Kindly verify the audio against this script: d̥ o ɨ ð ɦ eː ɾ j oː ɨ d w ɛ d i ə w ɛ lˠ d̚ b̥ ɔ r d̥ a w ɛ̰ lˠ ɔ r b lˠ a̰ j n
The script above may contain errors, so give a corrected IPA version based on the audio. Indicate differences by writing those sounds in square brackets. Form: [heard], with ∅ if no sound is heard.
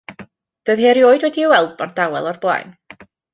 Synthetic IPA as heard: d̥ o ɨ ð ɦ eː ɾ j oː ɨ d w ɛ d i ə w ɛ lˠ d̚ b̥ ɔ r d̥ a w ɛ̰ lˠ ɔ r b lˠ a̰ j n